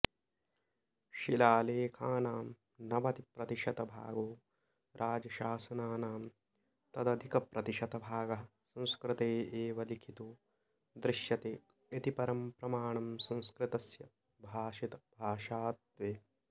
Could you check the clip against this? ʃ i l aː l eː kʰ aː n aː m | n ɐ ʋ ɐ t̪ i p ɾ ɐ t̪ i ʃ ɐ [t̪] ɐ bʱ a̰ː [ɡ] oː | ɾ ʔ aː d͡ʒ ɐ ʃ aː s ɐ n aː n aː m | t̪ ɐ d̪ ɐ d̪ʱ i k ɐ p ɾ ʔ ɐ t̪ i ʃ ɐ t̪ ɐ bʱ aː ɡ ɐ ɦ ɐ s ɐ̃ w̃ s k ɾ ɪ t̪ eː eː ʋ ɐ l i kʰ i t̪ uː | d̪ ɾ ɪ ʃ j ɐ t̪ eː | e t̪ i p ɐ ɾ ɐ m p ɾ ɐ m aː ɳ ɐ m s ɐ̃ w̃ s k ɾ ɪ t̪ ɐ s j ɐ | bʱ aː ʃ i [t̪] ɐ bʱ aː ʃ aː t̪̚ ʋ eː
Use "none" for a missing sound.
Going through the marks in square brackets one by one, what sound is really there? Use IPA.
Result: t̪, ɡ, t̪

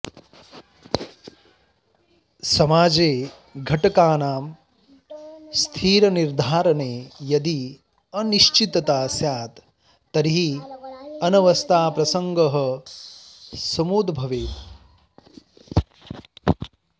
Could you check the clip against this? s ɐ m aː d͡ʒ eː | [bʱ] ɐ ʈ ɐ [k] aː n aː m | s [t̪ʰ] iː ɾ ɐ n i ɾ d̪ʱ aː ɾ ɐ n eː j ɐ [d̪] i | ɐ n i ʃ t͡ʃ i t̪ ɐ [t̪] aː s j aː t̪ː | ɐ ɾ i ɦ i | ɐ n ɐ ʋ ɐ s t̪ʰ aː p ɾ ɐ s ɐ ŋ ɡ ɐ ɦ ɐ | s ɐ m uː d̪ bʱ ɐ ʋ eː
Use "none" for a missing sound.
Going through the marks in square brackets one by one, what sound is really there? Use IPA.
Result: ɡʱ, k, t̪ʰ, d̪, t̪

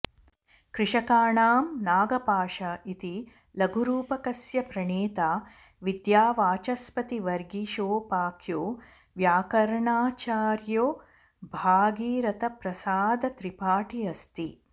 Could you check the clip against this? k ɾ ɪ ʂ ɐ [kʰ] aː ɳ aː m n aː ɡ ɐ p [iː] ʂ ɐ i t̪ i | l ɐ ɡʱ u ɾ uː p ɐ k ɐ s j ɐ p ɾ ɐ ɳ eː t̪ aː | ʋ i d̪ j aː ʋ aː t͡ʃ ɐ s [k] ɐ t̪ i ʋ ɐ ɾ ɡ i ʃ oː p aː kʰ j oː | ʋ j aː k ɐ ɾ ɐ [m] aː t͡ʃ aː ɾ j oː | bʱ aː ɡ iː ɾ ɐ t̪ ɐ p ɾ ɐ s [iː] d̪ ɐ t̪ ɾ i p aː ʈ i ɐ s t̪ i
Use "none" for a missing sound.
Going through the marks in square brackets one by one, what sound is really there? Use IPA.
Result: k, aː, p, ɳ, aː

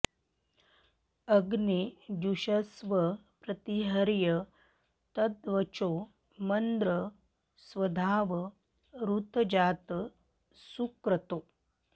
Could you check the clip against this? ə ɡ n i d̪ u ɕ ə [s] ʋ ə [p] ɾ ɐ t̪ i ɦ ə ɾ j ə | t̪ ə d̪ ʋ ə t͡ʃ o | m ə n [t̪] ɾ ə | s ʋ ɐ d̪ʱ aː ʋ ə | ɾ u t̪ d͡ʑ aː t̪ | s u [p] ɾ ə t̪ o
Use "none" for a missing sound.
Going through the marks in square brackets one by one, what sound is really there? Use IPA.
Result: s, p, d̪, k

